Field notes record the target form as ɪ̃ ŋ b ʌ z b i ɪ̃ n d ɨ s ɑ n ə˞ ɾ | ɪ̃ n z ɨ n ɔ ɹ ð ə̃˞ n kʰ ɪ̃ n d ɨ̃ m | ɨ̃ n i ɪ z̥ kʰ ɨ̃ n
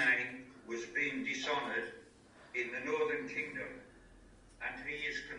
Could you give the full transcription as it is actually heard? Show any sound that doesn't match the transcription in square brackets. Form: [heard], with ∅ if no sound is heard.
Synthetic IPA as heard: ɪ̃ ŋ [w] ʌ z b i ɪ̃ [ŋ] d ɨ s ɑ n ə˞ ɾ | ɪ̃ n [ð] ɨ n ɔ ɹ ð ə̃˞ n kʰ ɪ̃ [ŋ] d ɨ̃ m | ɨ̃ n i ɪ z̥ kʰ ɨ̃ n